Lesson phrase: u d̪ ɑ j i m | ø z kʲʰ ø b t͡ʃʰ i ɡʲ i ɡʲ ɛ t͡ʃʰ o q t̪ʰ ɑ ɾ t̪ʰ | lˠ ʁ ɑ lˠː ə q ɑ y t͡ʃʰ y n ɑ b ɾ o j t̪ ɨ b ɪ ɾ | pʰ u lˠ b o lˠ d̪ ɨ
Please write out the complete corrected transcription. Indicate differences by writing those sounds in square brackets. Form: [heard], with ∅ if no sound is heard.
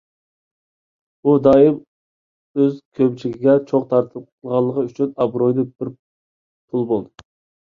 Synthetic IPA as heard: u d̪ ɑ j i m | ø z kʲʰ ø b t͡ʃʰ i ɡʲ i ɡʲ ɛ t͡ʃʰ o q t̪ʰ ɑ ɾ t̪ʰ | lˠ ʁ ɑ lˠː ə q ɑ y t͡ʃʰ y n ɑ b ɾ o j [d̪] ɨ b ɪ ɾ | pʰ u lˠ b o lˠ d̪ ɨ